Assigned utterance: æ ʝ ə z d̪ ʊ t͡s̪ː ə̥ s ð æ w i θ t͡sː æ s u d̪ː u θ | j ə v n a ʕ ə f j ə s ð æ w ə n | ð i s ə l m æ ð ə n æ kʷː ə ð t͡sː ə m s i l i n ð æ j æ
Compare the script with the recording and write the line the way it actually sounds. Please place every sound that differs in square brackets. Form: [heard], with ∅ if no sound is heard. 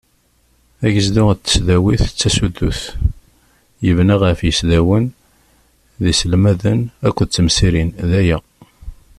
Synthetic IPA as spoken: æ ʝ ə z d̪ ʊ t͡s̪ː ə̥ s ð æ w i θ t͡sː æ s u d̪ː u θ | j ə v n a [ʁ] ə f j ə s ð æ w ə n | ð i s ə l m æ ð ə n æ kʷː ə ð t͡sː ə m s i [ɾ] i n ð æ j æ